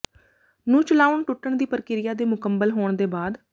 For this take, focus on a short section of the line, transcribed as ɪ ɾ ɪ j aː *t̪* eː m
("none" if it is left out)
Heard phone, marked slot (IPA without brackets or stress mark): d̪